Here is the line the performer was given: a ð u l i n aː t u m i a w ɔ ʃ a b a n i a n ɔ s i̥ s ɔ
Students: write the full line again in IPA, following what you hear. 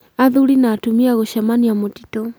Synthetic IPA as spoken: a ð u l i n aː t u m i a ɣ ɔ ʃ a m a n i a m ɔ t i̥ t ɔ